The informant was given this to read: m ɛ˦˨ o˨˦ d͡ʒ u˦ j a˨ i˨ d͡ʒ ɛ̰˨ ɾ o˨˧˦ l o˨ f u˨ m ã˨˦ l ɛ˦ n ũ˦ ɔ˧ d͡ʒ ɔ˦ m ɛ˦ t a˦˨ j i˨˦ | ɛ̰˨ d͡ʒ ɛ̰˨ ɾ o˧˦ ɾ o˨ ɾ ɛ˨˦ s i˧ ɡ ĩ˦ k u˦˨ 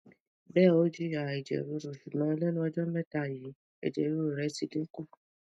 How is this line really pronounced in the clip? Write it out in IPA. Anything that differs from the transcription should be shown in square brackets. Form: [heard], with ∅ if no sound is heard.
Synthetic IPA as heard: [b] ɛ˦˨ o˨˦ d͡ʒ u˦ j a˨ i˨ d͡ʒ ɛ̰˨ ɾ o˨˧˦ [ɾ] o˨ [ʃ] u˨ m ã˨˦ l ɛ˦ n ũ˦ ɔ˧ d͡ʒ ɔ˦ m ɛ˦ t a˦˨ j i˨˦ | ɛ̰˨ d͡ʒ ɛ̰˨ ɾ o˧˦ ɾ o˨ ɾ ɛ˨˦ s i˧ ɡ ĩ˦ k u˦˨